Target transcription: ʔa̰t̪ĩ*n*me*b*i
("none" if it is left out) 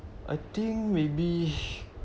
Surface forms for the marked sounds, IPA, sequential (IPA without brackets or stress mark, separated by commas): ŋ, b